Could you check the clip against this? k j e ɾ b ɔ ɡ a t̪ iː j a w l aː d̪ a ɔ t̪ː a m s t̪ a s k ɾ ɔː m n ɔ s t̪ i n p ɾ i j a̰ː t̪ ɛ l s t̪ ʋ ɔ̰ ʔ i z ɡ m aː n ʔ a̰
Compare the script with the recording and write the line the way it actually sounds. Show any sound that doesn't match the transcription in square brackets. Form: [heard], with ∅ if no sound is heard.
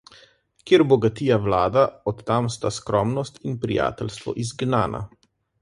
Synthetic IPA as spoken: k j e ɾ b ɔ ɡ a t̪ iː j a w l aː d̪ a ɔ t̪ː a m s t̪ a s k ɾ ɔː m n ɔ s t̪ i n p ɾ i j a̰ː t̪ ɛ l s t̪ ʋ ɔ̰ ʔ i z ɡ [n] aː n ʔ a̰